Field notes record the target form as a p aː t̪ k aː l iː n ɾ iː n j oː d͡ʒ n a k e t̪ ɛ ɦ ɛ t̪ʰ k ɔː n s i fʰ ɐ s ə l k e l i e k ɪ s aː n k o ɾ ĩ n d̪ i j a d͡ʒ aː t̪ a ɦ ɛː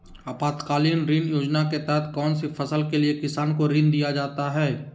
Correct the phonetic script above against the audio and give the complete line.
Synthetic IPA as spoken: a p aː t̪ k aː l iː n ɾ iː n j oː d͡ʒ n a k e t̪ ɛ ɦ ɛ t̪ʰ k ɔː n s i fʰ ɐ s ə l k e l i e k ɪ s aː n k o ɾ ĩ n d̪ i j a d͡ʒ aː t̪ a ɦ ɛː